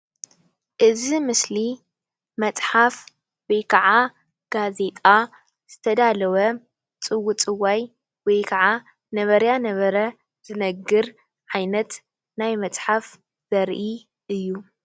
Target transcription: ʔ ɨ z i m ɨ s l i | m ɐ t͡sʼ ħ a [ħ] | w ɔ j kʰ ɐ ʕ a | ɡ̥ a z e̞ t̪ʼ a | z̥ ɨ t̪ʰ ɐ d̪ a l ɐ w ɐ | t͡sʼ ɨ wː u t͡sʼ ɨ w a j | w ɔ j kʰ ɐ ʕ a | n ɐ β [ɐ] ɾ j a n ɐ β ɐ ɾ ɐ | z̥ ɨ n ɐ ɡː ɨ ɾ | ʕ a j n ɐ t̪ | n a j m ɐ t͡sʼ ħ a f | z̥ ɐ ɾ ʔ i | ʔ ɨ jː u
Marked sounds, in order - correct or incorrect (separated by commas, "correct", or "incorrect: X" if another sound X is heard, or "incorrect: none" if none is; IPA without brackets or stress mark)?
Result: incorrect: f, correct